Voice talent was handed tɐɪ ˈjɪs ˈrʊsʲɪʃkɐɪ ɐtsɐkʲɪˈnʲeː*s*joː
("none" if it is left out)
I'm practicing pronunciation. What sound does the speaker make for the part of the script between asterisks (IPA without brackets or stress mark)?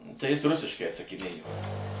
none